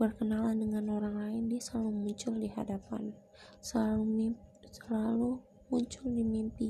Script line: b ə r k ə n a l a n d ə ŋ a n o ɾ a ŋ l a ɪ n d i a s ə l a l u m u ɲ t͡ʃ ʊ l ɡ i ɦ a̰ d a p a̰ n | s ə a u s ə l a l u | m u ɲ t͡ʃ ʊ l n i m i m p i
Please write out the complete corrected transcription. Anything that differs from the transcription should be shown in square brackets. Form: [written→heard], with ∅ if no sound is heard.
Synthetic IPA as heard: b ə r k ə n a l a n d ə ŋ a n o ɾ a ŋ l a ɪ n d i a s ə l a l u m u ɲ t͡ʃ ʊ l [ɡ→d] i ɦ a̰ d a p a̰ n | s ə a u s ə l a l u | m u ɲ t͡ʃ ʊ l [n→d] i m i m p i